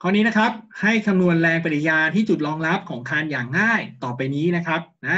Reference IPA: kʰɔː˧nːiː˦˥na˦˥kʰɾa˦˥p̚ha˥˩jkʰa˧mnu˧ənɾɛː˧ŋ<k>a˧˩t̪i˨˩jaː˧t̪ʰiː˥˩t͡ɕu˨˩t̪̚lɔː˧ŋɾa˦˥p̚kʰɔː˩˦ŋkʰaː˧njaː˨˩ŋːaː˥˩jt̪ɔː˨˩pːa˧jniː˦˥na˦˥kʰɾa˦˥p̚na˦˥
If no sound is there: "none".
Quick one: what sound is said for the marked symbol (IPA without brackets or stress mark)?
p